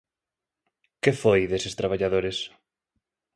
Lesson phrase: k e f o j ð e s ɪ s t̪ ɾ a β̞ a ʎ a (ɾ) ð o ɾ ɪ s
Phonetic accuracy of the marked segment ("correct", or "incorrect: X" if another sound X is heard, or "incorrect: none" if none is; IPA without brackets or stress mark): incorrect: none